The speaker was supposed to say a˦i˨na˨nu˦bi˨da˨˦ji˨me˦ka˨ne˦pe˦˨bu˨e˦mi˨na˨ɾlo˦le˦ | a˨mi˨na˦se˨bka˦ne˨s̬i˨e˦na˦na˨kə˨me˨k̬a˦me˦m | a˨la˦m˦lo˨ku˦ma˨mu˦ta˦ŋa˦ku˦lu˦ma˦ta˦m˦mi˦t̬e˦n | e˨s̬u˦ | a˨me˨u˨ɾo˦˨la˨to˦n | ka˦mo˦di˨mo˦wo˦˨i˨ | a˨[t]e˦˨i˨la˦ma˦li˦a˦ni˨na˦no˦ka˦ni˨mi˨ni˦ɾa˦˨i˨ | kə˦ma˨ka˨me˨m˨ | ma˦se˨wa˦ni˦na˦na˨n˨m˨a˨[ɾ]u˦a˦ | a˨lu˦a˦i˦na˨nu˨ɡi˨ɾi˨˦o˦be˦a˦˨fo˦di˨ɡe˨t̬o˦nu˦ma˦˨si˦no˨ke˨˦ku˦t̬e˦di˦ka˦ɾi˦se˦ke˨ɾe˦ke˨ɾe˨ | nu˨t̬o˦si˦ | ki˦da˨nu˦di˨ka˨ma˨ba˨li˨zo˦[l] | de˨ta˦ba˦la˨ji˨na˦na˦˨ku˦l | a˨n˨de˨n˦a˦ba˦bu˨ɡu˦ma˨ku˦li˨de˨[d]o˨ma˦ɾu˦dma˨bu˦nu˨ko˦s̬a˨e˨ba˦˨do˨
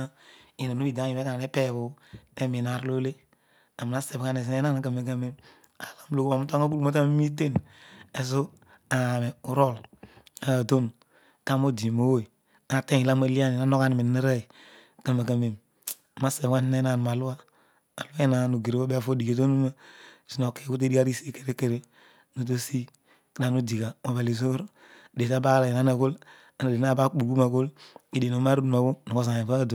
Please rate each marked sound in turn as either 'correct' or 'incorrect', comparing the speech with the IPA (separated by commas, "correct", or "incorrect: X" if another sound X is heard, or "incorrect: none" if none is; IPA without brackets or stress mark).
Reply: correct, incorrect: l, incorrect: ɾ, incorrect: n